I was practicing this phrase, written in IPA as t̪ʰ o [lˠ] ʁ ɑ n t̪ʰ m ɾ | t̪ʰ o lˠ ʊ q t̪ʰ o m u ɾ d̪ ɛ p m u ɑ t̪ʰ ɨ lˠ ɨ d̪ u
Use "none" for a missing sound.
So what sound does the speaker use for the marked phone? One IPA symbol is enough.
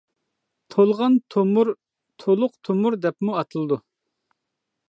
lˠ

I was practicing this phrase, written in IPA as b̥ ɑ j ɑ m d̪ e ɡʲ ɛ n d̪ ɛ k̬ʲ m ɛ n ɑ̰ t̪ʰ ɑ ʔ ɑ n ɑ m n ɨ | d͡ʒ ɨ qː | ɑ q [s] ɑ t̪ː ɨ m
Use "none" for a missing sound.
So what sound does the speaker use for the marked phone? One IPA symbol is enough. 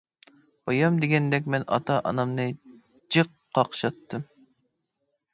ʃ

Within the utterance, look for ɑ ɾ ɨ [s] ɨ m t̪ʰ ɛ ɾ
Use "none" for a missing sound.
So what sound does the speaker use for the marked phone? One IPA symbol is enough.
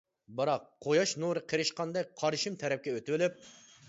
ʃ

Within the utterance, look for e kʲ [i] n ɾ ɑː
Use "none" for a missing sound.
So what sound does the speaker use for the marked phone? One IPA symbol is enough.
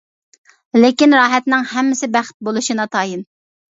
i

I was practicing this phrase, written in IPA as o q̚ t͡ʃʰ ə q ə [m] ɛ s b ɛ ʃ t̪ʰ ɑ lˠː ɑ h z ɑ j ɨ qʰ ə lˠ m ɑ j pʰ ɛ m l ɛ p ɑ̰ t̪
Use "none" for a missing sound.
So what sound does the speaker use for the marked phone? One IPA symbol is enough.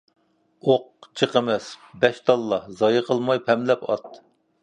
m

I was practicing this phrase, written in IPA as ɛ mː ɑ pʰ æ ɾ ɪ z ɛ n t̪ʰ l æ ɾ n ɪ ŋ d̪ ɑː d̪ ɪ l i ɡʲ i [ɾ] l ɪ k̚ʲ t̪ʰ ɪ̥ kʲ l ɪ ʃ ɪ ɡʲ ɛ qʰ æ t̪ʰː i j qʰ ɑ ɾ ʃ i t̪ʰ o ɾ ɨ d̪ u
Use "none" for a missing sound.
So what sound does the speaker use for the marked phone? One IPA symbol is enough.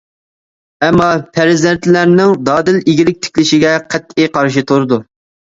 none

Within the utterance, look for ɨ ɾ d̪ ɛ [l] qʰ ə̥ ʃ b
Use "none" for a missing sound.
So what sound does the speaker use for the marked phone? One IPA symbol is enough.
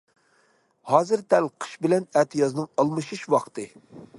l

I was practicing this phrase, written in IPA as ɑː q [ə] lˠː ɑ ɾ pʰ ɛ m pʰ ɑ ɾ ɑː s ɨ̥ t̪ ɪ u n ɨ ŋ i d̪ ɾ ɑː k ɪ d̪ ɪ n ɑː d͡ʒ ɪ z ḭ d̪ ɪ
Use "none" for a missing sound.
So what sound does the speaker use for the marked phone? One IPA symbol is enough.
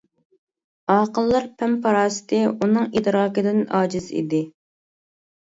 ə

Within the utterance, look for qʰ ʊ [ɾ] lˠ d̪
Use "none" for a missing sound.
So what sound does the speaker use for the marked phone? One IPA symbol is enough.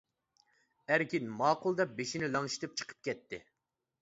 none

